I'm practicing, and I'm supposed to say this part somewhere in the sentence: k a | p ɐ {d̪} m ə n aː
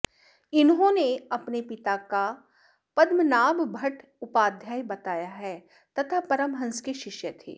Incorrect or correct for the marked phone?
correct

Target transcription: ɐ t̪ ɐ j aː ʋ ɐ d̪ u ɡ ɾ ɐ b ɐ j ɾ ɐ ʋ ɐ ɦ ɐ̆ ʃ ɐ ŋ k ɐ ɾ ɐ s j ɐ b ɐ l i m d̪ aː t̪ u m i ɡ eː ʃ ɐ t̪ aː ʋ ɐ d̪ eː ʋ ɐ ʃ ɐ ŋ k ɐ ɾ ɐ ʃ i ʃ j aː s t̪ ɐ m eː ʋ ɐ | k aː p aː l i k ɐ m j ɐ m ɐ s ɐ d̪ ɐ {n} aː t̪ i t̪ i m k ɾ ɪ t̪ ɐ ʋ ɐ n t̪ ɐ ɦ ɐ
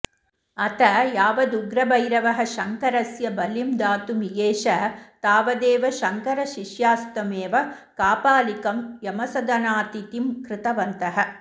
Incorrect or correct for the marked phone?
correct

